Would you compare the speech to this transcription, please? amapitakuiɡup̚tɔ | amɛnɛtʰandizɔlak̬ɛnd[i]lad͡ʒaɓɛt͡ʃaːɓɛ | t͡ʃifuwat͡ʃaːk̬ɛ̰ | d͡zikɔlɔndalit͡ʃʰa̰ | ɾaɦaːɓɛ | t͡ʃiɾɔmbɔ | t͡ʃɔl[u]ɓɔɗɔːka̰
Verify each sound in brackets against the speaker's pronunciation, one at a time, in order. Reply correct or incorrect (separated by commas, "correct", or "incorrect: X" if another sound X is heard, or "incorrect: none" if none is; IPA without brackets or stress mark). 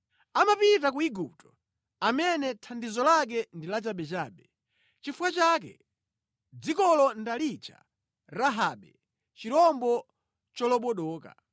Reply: correct, incorrect: ɔ